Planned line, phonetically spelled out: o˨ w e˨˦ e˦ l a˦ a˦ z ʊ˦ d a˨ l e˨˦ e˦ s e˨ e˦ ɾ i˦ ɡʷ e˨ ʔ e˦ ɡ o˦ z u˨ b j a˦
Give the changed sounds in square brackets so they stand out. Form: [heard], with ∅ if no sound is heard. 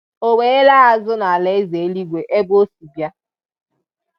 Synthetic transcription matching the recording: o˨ w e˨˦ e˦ l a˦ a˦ z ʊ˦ [n] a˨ l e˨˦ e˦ [z] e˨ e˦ [l] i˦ ɡʷ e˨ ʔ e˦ [b] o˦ [s] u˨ b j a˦